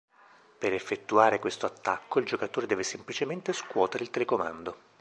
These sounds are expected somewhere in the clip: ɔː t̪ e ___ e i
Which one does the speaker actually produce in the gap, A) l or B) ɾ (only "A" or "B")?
B